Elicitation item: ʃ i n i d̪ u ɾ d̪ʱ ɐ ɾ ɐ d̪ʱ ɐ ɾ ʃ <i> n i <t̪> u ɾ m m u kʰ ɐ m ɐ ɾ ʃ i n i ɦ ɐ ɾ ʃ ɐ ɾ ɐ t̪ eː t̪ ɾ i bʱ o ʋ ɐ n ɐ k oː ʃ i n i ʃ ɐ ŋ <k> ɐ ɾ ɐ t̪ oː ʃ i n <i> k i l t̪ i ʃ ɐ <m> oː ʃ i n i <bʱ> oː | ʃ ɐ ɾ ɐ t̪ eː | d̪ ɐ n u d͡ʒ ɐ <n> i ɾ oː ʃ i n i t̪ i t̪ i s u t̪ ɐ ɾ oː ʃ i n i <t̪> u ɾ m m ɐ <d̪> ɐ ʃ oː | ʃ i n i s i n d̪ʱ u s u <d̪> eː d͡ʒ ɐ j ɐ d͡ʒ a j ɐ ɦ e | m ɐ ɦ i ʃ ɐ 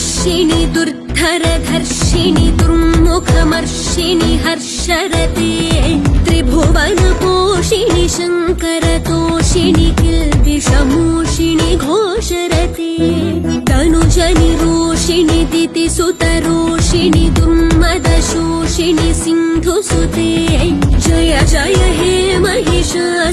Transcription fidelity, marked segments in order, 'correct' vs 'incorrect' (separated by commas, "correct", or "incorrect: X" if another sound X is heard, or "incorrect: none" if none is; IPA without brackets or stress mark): correct, incorrect: d̪, correct, correct, correct, incorrect: ɡʱ, correct, incorrect: d̪, correct, incorrect: t̪